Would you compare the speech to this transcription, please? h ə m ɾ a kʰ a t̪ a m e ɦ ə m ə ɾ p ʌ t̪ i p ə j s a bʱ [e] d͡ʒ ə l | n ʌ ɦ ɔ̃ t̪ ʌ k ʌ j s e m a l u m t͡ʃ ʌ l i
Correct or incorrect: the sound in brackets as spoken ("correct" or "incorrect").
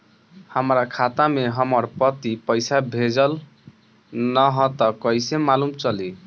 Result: correct